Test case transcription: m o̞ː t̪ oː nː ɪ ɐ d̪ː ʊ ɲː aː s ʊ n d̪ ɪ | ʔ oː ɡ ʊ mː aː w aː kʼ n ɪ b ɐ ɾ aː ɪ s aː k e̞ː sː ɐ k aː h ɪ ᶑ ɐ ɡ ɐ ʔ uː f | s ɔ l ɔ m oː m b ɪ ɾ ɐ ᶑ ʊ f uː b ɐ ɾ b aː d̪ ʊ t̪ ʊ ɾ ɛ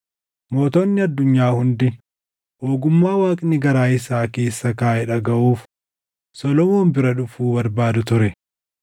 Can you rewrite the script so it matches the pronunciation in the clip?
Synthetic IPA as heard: m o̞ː t̪ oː nː ɪ ɐ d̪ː ʊ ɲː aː h ʊ n d̪ ɪ | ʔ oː ɡ ʊ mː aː w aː kʼ n ɪ ɡ ɐ ɾ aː ɪ s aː k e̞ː sː ɐ k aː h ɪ ᶑ ɐ ɡ ɐ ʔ uː f | s ɔ l ɔ m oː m b ɪ ɾ ɐ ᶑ ʊ f uː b ɐ ɾ b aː d̪ ʊ t̪ ʊ ɾ ɛ